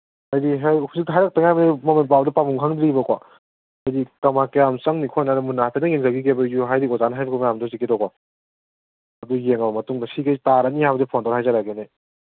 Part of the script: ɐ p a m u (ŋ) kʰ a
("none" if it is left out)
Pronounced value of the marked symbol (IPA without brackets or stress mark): ŋ